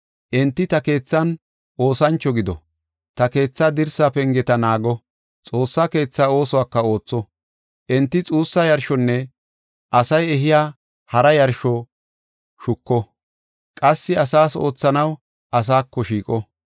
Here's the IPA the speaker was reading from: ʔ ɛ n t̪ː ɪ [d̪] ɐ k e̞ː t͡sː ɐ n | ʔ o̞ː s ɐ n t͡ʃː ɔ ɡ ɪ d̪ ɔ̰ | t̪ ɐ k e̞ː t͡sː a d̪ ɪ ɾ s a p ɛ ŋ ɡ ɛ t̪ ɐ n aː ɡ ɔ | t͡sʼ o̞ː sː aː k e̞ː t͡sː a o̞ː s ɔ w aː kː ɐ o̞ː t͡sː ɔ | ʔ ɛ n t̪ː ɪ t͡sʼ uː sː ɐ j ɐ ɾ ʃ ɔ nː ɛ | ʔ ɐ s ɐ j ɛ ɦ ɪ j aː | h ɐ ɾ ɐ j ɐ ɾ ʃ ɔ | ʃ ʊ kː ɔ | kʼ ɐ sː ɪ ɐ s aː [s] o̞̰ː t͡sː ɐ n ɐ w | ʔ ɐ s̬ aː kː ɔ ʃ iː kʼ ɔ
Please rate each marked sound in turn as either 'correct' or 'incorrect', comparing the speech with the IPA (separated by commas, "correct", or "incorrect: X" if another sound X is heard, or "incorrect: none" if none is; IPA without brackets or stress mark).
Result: incorrect: t̪, correct